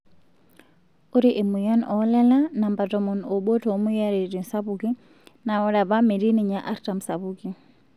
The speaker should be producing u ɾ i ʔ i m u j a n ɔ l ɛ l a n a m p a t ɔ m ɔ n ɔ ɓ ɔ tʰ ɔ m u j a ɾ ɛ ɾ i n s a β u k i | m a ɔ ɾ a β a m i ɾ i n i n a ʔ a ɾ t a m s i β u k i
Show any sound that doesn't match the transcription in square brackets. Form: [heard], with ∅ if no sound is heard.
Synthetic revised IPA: u ɾ i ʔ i m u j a n ɔ l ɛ l a n a m [b] a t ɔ m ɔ n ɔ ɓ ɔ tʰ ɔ m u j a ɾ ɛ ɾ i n s a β u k i | [n] a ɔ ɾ a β a m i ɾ i n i [ɲ] a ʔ a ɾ t a m s [a] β u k i

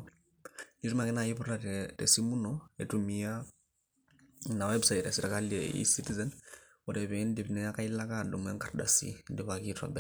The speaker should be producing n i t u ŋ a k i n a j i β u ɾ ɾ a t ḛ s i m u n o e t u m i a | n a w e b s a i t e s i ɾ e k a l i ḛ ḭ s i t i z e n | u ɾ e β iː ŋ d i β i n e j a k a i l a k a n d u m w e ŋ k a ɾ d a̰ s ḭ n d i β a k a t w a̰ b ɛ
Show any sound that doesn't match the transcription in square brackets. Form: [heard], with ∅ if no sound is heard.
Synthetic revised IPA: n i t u [m] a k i n a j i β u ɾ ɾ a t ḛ s i m u n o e t u m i a | n a w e b s a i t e s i ɾ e k a l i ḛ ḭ s i t i z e n | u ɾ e β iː [n] d i β i n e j a k a i l a k a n d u m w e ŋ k a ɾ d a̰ s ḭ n d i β a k [i] t w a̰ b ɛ

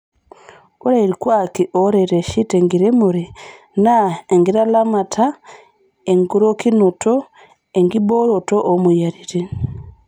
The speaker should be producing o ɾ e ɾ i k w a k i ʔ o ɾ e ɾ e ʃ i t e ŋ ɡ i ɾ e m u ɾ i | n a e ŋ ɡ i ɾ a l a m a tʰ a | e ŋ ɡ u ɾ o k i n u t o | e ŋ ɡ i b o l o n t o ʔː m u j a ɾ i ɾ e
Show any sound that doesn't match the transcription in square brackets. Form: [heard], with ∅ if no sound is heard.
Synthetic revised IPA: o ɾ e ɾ i k w a k i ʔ o ɾ e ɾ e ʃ i t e ŋ ɡ i ɾ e m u ɾ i | n a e ŋ ɡ i ɾ a l a m a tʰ a | e ŋ ɡ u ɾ o k i n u t o | e ŋ ɡ i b o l o [∅] t o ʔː m u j a ɾ i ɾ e

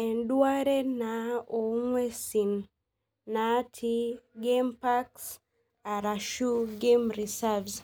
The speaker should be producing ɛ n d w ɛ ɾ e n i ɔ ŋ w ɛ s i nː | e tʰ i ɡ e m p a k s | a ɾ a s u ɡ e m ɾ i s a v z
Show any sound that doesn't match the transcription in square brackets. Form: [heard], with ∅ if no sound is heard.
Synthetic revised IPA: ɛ n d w [a] ɾ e n [a] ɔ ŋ w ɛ s i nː | [a] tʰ i ɡ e m p a k s | a ɾ a [ʃ] u ɡ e m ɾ i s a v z

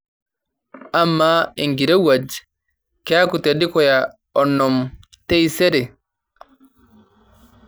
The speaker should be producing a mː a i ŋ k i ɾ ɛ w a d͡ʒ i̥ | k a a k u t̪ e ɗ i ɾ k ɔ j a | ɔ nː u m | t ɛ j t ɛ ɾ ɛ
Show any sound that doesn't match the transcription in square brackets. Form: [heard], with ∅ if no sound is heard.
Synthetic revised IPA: a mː a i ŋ [ɡ] i ɾ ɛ w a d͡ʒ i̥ | k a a k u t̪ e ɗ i [∅] k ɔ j a | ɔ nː [ɔ] m | t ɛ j [s] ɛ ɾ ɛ

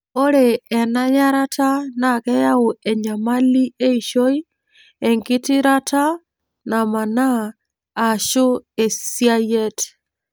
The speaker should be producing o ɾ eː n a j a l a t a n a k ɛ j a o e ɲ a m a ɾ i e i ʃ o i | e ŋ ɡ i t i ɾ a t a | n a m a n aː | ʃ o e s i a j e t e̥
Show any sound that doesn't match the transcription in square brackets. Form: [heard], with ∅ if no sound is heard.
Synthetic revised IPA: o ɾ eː n a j a [ɾ] a t a n a k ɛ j a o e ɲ a m a [l] i e i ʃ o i | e ŋ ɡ i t i ɾ a t a | n a m a n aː | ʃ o e s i a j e t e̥

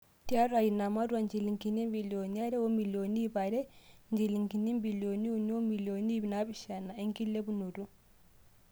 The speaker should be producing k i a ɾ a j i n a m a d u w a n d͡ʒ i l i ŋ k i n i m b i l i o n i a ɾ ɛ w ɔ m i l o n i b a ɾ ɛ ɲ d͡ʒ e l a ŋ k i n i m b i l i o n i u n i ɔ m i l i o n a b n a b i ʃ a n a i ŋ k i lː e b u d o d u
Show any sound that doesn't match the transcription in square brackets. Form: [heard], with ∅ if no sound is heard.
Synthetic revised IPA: [t] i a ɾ a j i n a m a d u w a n d͡ʒ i l i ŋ k i n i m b i l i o n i a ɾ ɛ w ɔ m i l o n i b a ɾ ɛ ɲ d͡ʒ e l [i] ŋ k i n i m b i l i o n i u n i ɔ m i l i o n [i] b n a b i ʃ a n a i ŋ k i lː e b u [n] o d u

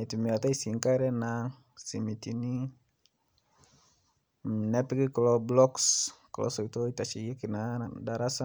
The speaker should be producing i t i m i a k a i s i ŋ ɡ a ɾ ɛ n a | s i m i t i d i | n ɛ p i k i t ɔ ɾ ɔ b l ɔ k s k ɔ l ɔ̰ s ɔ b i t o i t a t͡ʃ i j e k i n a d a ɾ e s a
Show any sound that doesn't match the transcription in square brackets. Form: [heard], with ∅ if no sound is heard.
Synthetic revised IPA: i t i m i a [t] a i s i ŋ [k] a ɾ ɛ n a | s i m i t i [n] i | n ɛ p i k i [k] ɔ [l] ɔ b l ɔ k s k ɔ l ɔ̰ s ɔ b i t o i t a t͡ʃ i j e k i n a d a ɾ [a] s a

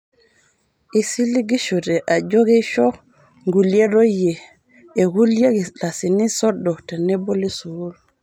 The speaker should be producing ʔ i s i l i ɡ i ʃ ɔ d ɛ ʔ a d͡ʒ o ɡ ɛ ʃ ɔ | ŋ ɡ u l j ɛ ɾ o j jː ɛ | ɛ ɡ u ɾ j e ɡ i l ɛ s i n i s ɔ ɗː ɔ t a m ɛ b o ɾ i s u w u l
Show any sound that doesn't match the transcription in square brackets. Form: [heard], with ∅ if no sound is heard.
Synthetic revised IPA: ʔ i s i l i ɡ i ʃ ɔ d ɛ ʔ a d͡ʒ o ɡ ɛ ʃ ɔ | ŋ ɡ u l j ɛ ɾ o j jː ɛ | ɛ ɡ u [l] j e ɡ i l [a] s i n i s ɔ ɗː ɔ t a [n] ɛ b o [l] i s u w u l

